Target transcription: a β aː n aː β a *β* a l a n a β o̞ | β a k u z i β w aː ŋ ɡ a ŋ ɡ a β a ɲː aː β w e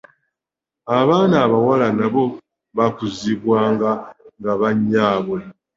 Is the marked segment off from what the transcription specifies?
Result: yes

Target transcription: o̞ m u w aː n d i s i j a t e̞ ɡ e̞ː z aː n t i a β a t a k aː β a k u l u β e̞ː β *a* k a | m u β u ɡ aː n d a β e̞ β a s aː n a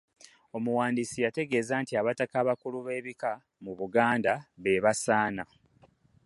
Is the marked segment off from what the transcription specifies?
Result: yes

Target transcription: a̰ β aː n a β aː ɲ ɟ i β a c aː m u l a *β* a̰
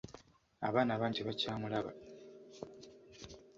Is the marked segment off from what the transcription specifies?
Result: no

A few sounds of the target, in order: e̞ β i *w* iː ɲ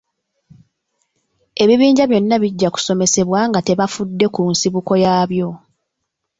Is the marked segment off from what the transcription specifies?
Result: yes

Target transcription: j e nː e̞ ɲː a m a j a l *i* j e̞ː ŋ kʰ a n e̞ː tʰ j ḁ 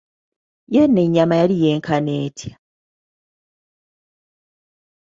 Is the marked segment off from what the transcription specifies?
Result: no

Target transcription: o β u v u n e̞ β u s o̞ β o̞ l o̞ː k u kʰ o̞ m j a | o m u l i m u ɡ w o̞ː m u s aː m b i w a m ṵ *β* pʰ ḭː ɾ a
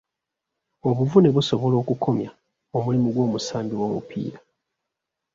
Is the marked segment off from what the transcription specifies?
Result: yes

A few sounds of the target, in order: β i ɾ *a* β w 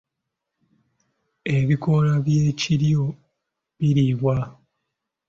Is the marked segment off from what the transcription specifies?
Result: yes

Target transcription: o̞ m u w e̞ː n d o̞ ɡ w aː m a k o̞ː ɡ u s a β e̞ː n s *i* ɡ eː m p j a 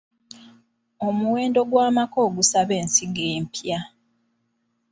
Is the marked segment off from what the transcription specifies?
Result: no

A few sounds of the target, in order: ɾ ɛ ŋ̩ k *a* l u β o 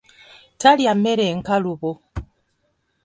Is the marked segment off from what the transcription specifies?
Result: no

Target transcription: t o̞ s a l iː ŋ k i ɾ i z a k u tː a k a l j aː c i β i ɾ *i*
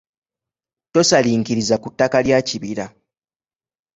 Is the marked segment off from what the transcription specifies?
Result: yes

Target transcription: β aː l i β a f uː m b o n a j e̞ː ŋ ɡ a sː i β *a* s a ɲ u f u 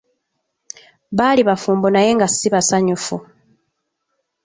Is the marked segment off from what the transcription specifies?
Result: no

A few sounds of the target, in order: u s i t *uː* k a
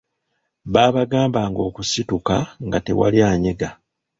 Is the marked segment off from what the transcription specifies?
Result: yes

